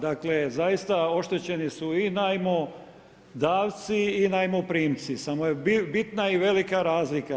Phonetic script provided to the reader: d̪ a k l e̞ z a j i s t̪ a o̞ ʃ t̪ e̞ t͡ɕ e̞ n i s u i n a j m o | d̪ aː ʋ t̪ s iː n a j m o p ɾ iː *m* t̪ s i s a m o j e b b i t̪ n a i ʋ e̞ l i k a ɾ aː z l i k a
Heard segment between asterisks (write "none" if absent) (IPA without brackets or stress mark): m